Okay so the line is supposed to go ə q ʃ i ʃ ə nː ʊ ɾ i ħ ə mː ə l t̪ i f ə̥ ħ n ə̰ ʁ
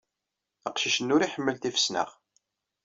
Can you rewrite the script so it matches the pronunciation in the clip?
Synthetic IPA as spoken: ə q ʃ i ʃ ə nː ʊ ɾ i ħ ə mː ə l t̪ i f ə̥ s n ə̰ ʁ